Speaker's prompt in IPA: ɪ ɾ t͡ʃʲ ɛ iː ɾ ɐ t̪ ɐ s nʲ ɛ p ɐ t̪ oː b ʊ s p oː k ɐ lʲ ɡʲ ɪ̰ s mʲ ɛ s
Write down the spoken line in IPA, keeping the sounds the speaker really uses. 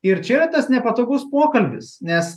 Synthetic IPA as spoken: ɪ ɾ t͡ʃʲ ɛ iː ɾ ɐ t̪ ɐ s nʲ ɛ p ɐ t̪ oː ɡ ʊ s p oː k ɐ lʲ bʲ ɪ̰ s nʲ ɛ s